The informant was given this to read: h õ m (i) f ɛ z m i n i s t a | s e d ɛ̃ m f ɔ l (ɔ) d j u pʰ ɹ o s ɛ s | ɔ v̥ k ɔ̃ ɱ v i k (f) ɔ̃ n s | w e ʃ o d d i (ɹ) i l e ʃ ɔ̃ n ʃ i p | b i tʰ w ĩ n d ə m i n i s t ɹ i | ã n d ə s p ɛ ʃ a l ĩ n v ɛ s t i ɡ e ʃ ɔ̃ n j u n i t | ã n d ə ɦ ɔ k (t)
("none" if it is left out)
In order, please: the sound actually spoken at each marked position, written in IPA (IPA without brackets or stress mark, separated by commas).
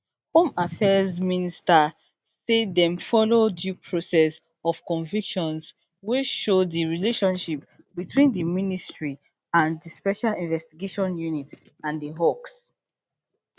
a, o, ʃ, ɹ, s